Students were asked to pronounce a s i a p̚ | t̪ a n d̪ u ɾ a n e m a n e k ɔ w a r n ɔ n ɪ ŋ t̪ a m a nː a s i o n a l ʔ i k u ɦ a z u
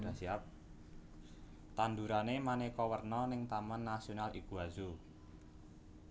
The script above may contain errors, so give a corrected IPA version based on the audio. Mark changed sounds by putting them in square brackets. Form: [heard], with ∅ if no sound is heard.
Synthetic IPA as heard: a s i a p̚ | t̪ a n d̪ u ɾ a n e m a n e k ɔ w [ə] r n ɔ n ɪ ŋ t̪ a m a nː a s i o n a l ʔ i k u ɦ a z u